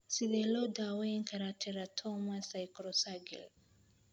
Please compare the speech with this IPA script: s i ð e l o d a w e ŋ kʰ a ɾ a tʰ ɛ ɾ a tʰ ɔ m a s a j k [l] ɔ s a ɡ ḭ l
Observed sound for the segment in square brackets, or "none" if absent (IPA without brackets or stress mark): ɾ